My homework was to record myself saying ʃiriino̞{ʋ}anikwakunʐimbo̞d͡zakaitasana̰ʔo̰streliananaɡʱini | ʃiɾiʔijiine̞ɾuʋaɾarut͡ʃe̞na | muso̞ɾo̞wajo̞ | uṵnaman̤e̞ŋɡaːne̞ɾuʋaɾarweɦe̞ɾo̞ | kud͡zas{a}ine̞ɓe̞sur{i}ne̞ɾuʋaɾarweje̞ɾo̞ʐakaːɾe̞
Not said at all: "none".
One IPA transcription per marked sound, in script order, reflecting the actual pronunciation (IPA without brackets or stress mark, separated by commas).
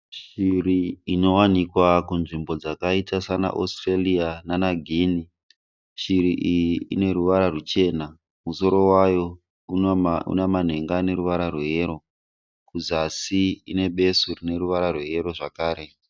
w, i, i